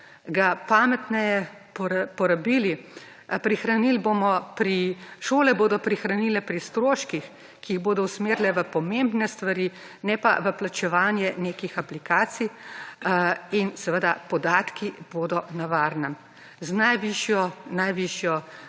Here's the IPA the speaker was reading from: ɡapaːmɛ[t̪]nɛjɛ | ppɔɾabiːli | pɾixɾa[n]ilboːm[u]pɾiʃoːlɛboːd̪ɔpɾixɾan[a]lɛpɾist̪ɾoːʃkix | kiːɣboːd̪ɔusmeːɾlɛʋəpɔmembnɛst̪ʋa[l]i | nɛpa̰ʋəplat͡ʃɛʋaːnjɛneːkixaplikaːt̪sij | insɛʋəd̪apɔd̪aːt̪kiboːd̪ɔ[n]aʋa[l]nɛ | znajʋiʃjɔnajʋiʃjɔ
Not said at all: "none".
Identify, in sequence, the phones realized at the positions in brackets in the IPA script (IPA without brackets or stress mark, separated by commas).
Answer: t̪, n, ɔ, i, ɾ, n, ɾ